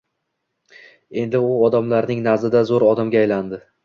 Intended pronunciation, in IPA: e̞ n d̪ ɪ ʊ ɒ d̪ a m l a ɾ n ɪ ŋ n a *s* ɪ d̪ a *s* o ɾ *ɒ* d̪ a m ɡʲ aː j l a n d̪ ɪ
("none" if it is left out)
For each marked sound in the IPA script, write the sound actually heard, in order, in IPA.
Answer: z, z, ɒ

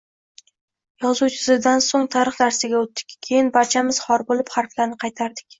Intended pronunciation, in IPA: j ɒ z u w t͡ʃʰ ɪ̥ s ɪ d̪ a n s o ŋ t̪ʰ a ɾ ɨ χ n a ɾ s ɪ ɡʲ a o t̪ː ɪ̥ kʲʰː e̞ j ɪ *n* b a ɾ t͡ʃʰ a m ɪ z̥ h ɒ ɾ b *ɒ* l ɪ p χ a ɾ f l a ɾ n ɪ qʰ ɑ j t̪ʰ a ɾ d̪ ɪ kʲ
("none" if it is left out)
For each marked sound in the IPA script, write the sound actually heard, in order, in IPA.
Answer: n, o

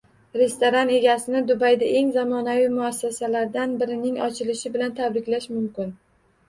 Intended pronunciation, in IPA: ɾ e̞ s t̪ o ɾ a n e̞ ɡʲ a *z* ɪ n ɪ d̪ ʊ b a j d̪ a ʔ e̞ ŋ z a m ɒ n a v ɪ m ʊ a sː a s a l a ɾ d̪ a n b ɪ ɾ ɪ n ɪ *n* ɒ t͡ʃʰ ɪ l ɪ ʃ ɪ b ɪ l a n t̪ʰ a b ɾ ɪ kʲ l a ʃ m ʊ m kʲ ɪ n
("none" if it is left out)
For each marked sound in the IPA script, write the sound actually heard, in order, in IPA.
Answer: s, ŋ

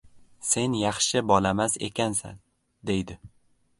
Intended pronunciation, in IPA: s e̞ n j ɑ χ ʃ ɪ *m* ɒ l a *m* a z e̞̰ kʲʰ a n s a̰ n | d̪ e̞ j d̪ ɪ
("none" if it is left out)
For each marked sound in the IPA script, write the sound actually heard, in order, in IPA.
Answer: b, m

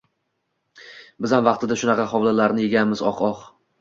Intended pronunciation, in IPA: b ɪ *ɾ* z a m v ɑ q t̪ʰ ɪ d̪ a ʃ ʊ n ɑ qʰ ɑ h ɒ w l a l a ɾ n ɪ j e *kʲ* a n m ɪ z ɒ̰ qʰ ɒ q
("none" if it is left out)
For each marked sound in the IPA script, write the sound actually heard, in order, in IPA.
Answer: none, ɡʲ

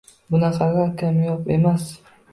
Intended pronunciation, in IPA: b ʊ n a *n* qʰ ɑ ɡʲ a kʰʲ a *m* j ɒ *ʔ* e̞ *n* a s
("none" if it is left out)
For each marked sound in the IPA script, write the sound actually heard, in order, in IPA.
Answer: none, m, p, m

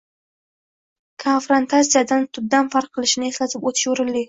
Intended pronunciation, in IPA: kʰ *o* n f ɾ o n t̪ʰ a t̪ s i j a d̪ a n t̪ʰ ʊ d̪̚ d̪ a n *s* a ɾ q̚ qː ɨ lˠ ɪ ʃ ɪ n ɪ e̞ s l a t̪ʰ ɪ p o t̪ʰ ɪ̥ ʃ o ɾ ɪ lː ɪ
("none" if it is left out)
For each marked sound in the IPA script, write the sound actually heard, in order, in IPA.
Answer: o, f

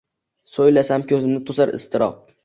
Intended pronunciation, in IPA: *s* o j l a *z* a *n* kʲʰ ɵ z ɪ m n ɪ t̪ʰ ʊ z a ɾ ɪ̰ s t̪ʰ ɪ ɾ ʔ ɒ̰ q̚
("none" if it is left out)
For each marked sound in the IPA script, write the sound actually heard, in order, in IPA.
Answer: s, s, m

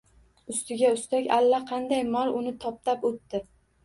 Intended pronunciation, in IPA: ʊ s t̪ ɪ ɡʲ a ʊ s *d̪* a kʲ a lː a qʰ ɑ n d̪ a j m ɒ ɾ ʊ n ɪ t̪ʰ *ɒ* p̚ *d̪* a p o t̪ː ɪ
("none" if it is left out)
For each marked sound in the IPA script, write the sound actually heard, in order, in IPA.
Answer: t̪, ɒ, t̪

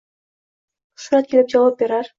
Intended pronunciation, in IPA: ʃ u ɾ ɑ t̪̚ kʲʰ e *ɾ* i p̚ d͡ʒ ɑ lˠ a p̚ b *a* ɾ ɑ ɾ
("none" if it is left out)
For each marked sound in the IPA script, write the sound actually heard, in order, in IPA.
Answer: l, e

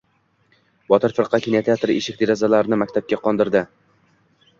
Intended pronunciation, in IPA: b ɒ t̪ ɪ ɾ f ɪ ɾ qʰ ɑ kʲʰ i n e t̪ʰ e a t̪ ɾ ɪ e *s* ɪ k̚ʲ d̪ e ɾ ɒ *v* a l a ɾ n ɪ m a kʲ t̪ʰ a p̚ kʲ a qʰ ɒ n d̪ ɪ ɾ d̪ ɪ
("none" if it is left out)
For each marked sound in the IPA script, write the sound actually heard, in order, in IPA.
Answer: ʃ, z

